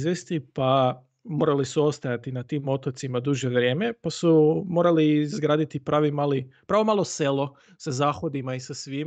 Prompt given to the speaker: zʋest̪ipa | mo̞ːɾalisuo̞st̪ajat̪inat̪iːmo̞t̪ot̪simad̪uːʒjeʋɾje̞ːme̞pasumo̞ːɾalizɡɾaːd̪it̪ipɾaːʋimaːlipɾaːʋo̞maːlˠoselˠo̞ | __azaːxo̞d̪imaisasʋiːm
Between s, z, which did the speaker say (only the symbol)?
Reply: s